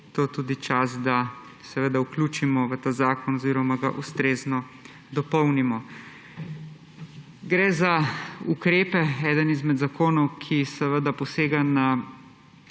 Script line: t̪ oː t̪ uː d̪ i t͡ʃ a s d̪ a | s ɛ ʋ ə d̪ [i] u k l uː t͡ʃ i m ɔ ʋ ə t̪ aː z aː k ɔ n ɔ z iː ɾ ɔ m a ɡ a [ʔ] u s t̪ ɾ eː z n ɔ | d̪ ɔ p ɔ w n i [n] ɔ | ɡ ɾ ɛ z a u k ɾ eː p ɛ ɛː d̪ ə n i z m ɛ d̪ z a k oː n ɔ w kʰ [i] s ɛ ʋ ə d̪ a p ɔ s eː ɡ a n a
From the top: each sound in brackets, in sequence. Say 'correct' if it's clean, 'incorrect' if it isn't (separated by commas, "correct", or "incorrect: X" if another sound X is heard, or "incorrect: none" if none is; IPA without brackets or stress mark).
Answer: incorrect: a, correct, incorrect: m, correct